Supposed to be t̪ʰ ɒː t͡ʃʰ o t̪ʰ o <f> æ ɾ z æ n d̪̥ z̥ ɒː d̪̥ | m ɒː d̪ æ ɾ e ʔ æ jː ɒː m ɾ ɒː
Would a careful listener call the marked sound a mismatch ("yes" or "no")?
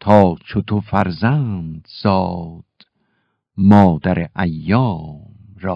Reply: no